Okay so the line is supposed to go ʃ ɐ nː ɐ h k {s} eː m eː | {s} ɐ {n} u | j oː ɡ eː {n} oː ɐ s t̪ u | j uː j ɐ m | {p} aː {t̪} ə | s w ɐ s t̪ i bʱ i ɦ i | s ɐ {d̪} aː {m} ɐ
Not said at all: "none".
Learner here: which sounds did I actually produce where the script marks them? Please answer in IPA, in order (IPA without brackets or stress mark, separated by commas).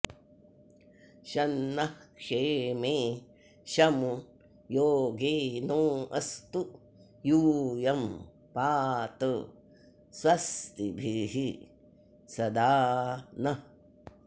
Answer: ʂ, ʃ, m, n, p, t̪, d̪, n